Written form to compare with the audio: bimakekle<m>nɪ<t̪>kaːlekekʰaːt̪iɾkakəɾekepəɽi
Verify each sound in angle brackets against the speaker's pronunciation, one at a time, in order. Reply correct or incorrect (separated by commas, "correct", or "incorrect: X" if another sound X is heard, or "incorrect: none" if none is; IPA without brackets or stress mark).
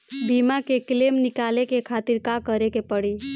correct, incorrect: none